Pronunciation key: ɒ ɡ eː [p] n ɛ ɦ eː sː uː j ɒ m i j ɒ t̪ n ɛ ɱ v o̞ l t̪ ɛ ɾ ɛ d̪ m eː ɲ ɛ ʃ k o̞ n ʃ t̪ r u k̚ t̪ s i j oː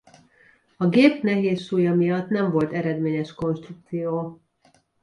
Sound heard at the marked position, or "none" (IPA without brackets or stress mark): p